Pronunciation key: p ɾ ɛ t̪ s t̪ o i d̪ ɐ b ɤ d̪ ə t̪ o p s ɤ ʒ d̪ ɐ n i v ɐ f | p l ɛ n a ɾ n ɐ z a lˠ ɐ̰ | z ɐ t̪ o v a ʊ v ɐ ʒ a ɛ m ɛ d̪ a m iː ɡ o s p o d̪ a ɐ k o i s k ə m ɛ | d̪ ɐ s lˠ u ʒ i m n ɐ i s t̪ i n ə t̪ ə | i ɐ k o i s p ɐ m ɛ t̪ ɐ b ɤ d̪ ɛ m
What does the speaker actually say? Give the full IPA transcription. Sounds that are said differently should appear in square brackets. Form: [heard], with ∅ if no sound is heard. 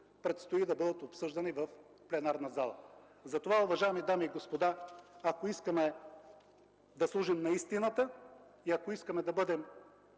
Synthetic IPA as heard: p ɾ ɛ t̪ s t̪ o i d̪ ɐ b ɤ d̪ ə t̪ o p s ɤ ʒ d̪ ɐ n i v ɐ f | p l ɛ n a ɾ n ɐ z a lˠ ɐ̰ | z ɐ t̪ o v a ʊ v ɐ ʒ a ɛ m [i] d̪ a m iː ɡ o s p o d̪ a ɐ k o i s k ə m ɛ | d̪ ɐ s lˠ u ʒ i m n ɐ i s t̪ i n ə t̪ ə | i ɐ k o i s [k] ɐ m ɛ [d̪] ɐ b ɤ d̪ ɛ m

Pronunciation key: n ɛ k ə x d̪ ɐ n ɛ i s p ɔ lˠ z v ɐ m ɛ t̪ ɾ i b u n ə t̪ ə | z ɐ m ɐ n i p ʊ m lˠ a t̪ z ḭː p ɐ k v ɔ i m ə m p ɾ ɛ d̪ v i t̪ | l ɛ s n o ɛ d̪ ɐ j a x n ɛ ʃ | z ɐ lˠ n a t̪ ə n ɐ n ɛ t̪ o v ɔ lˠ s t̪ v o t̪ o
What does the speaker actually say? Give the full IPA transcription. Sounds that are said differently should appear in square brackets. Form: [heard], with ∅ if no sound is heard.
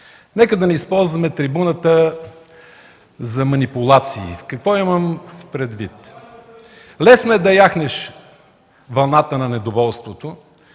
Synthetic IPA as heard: n ɛ k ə [∅] d̪ ɐ n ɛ i s p ɔ lˠ z v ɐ m ɛ t̪ ɾ i b u n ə t̪ ə | z ɐ m ɐ n i p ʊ [∅] lˠ a t̪ [s] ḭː [k] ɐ k v ɔ i m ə m p ɾ ɛ d̪ v i t̪ | l ɛ s n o ɛ d̪ ɐ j a x n ɛ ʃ | [v] ɐ lˠ n a t̪ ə n ɐ n ɛ [d̪] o v ɔ lˠ s t̪ v o t̪ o

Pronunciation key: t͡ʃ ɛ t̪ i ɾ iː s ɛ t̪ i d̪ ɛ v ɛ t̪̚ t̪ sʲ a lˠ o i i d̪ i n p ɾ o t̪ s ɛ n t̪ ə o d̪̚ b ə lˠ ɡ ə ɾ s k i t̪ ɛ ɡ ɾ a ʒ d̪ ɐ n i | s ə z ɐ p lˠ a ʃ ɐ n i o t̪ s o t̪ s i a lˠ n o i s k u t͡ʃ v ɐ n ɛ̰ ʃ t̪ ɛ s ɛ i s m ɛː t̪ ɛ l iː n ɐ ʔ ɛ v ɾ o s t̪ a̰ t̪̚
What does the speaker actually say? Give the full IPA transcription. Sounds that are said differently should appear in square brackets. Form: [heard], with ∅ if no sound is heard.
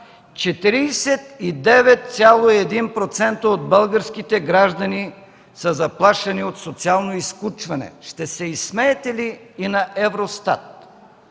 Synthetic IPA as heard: t͡ʃ ɛ t̪ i ɾ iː s ɛ t̪ i d̪ ɛ v ɛ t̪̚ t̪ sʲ a lˠ o i [ɛ] d̪ i n p ɾ o t̪ s ɛ n t̪ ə o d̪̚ b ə lˠ ɡ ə ɾ s k i t̪ ɛ ɡ ɾ a ʒ d̪ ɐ n i | s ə z ɐ p lˠ a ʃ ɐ n i o t̪ s o t̪ s i a lˠ n o i s k u t͡ʃ v ɐ n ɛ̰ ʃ t̪ ɛ s ɛ i s m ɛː t̪ ɛ l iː n ɐ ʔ ɛ v ɾ o s t̪ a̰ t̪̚

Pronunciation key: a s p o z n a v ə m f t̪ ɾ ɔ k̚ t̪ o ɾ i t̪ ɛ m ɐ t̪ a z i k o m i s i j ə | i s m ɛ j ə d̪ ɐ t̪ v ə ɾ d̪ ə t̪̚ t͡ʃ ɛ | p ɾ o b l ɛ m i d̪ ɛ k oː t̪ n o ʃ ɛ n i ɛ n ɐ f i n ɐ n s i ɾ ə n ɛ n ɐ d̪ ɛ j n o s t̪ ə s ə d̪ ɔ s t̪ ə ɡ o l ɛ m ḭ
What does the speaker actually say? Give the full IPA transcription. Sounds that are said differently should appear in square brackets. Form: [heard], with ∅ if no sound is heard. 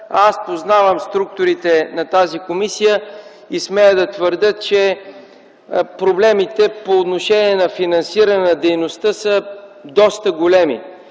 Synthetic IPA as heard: a s p o z n a v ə m [s] t̪ ɾ [u] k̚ t̪ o ɾ i t̪ ɛ [n] ɐ t̪ a z i k o m i s i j ə | i s m ɛ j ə d̪ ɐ t̪ v ə ɾ d̪ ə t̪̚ t͡ʃ ɛ | p ɾ o b l ɛ m i [t̪] ɛ [p] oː t̪ n o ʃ ɛ n i ɛ n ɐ f i n ɐ n s i ɾ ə n ɛ n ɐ d̪ ɛ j n o s t̪ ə s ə d̪ ɔ s t̪ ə ɡ o l ɛ m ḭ

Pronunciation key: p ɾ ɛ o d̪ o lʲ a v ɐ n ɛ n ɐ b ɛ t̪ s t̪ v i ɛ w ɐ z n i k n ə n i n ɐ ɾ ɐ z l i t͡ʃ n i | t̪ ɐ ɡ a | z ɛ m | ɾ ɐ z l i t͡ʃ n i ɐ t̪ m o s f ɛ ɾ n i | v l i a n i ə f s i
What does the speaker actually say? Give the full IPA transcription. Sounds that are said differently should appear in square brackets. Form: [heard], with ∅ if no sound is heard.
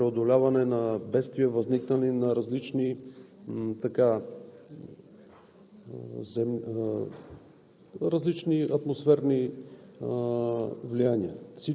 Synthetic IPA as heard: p ɾ ɛ o d̪ o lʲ a v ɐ n ɛ n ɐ b ɛ t̪ s t̪ v i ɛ [v] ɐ z n i k n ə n i n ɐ ɾ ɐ z l i t͡ʃ n i | t̪ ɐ [k] a | z ɛ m | ɾ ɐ z l i t͡ʃ n i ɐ t̪ m o s f ɛ ɾ n i | v l i a n i ə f s i

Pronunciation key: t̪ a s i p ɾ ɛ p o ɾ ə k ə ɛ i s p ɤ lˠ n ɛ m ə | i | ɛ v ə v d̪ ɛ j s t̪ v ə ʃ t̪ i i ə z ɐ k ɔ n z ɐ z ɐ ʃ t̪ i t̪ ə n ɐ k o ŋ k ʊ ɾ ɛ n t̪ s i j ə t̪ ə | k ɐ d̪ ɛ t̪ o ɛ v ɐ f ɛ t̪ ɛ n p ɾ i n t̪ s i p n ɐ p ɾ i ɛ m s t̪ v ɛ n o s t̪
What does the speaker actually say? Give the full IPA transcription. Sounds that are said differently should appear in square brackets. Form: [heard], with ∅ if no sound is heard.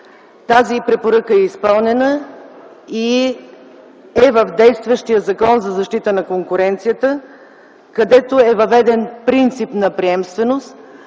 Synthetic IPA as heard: t̪ a [z] i p ɾ ɛ p o ɾ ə k ə ɛ i s p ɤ lˠ n ɛ [n] ə | i | ɛ v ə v d̪ ɛ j s t̪ v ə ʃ t̪ i [j] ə z ɐ k ɔ n z ɐ z ɐ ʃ t̪ i t̪ ə n ɐ k o ŋ k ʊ ɾ ɛ n t̪ s i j ə t̪ ə | k ɐ d̪ ɛ t̪ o ɛ v ɐ [v] ɛ [d̪] ɛ n p ɾ i n t̪ s i p n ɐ p ɾ i ɛ m s t̪ v ɛ n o s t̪

